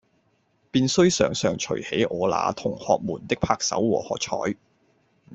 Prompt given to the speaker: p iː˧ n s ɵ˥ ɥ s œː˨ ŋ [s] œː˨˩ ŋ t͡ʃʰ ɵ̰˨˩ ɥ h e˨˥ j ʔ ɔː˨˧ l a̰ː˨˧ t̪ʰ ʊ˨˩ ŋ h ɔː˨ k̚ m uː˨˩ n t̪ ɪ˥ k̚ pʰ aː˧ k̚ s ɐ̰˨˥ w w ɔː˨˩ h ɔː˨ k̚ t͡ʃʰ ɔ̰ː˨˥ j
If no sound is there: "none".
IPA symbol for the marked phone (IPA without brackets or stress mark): s